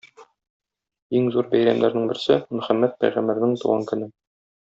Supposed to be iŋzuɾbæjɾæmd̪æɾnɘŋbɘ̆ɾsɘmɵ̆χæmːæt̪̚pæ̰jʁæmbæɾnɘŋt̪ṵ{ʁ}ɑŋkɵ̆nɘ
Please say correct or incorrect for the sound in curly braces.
correct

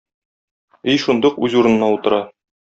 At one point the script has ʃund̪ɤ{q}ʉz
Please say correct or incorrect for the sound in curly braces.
correct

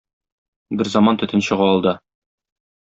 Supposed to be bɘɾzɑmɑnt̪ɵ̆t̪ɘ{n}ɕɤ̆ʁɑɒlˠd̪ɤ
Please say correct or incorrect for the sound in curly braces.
correct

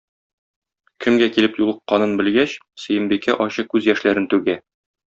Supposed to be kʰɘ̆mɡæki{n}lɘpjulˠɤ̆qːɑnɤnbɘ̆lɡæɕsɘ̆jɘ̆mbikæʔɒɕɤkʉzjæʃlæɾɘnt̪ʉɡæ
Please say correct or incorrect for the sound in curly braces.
incorrect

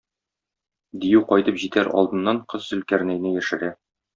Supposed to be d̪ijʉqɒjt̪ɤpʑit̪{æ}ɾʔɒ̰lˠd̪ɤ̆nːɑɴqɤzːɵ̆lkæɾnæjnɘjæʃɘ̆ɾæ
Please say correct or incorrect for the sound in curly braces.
correct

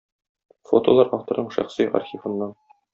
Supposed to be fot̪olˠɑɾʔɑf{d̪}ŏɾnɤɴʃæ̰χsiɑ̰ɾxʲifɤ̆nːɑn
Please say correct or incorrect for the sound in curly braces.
incorrect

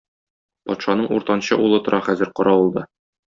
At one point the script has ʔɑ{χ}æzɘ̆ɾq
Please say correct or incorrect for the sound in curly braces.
correct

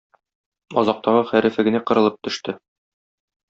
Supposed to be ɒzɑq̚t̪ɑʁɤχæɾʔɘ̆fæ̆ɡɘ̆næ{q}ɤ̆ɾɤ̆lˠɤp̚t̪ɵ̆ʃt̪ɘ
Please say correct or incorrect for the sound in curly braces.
correct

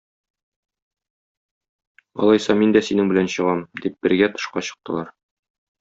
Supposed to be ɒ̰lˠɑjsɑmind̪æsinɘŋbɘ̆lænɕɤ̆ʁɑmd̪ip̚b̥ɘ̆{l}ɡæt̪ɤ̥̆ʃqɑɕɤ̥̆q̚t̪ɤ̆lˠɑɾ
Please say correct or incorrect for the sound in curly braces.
incorrect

